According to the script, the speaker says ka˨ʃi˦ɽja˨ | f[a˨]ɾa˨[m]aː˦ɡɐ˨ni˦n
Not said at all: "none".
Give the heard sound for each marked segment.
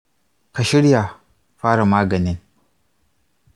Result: a˦, m

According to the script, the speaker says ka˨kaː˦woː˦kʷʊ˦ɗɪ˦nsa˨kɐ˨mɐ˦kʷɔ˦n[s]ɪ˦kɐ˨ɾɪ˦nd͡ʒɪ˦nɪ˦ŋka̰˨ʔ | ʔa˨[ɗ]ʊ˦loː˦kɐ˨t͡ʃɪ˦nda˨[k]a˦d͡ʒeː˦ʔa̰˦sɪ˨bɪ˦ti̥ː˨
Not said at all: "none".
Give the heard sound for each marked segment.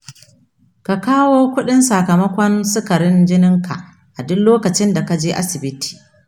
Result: s, d, k

